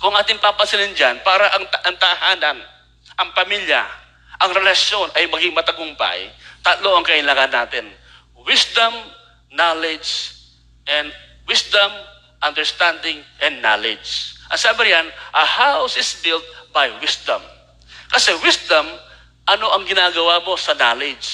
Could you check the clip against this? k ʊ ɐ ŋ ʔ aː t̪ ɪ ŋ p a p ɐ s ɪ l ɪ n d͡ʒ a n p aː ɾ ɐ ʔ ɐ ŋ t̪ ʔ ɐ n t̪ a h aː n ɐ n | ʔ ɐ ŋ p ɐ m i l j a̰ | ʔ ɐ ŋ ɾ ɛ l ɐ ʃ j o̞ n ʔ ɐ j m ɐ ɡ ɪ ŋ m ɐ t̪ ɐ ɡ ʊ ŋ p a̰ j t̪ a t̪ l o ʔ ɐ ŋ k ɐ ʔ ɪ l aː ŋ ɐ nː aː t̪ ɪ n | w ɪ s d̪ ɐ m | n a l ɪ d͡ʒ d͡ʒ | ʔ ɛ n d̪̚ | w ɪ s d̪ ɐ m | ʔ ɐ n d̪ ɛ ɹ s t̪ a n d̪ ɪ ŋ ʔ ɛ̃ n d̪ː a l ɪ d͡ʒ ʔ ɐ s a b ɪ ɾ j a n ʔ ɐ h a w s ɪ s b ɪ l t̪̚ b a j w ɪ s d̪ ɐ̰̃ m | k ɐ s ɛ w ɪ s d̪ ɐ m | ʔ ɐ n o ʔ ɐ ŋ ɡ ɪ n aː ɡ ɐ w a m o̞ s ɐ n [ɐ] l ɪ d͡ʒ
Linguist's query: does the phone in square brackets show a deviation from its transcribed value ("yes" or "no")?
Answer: yes